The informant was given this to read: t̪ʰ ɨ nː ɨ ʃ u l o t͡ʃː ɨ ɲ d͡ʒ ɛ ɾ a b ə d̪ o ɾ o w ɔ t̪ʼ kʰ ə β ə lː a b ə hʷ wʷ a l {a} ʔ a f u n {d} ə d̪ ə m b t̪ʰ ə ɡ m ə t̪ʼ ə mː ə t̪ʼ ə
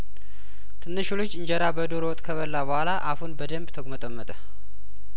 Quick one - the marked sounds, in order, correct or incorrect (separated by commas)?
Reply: correct, incorrect